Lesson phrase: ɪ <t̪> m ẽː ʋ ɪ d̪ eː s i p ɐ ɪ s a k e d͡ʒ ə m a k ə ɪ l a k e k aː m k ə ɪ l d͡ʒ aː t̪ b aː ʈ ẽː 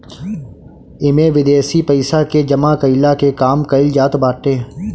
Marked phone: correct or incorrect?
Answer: incorrect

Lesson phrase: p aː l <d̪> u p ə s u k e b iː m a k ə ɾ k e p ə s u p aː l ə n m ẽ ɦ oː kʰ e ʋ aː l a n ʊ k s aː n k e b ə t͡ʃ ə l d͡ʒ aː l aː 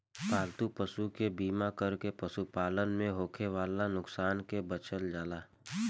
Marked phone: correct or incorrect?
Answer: incorrect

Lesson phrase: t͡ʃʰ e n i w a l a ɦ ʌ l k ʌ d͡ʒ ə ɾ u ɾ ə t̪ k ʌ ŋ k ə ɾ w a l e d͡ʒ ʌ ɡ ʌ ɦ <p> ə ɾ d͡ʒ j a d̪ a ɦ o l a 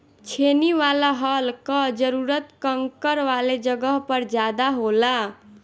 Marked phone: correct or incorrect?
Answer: correct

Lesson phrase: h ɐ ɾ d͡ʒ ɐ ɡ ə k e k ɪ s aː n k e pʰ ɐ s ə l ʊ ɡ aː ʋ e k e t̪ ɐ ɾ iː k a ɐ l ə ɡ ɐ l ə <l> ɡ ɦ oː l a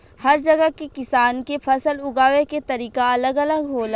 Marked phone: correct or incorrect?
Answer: incorrect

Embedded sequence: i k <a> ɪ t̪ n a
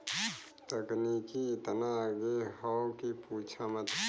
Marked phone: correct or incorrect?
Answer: incorrect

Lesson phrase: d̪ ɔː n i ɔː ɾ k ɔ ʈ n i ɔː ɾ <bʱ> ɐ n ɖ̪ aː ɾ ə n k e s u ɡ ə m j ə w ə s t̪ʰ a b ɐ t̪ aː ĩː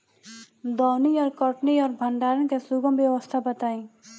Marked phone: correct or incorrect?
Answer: correct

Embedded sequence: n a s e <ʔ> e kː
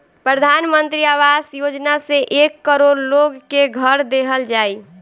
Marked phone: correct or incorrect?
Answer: correct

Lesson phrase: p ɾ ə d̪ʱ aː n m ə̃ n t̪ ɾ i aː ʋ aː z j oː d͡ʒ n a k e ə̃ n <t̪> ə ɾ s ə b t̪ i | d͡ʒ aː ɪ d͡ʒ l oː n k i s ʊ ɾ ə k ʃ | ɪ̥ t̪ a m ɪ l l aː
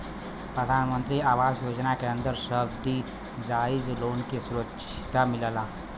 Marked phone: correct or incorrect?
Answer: incorrect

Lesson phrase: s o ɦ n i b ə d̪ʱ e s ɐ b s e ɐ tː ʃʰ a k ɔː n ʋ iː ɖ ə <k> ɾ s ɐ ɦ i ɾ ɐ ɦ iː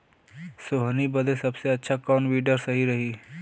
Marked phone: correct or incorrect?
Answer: incorrect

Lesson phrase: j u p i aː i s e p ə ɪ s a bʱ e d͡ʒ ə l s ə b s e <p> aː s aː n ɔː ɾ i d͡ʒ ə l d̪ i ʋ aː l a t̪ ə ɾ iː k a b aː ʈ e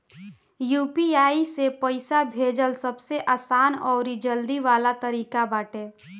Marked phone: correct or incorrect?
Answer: incorrect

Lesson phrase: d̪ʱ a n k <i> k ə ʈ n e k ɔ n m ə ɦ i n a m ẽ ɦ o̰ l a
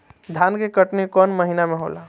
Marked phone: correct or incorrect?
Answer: incorrect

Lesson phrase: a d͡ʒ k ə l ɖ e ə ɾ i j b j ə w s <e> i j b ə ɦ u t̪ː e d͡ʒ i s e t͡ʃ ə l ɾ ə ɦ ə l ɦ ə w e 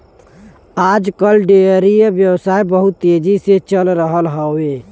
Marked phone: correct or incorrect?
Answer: incorrect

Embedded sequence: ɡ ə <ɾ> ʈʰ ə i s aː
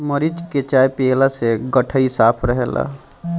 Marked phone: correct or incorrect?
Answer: incorrect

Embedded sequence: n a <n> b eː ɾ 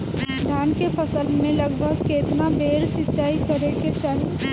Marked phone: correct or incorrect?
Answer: incorrect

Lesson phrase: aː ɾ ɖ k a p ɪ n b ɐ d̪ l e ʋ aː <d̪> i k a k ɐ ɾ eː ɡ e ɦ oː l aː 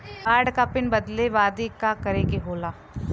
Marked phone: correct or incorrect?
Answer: correct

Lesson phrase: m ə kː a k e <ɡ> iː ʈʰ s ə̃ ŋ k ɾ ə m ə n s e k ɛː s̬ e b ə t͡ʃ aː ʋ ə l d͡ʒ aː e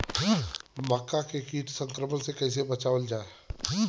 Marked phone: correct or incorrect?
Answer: incorrect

